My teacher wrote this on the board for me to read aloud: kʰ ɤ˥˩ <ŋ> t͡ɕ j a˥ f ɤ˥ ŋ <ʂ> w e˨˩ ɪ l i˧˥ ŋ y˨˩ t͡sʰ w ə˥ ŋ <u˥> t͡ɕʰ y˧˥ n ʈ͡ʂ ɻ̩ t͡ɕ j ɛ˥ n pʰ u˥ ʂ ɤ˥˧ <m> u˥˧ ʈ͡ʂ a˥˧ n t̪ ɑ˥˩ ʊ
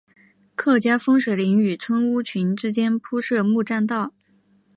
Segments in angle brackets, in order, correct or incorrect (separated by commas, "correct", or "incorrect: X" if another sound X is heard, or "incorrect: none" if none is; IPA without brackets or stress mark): incorrect: none, correct, correct, correct